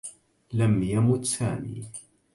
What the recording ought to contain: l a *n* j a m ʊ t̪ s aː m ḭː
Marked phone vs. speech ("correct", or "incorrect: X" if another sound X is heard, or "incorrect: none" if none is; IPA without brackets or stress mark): incorrect: m